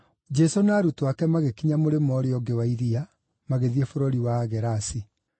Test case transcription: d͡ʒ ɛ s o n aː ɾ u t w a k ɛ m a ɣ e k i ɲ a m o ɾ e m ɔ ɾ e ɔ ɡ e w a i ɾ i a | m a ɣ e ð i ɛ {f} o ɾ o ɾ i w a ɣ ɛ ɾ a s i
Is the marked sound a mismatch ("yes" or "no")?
no